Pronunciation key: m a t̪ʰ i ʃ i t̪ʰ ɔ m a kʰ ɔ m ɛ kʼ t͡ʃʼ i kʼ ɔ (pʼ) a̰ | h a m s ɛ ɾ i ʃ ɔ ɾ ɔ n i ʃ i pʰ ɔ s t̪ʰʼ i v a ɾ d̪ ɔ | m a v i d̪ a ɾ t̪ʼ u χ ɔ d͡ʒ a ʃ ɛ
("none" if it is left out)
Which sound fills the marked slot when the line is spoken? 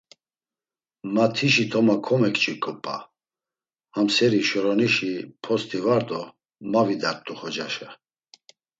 pʼ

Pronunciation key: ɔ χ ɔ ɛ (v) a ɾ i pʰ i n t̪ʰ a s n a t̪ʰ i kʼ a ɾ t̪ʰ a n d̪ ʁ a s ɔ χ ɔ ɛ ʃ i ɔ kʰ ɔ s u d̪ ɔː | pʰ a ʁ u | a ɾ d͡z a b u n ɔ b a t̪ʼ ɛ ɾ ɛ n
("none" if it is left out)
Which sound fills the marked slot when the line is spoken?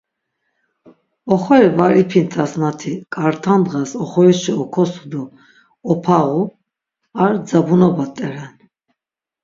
v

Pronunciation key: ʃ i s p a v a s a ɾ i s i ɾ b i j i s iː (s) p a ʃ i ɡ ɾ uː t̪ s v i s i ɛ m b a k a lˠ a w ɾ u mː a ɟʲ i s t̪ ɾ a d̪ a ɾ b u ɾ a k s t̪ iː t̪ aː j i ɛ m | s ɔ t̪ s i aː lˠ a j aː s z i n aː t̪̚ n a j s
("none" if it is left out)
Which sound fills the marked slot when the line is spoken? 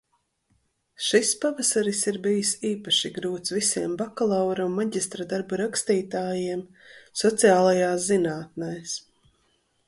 none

